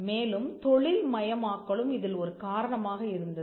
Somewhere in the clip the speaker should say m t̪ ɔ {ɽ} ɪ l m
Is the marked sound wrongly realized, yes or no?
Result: yes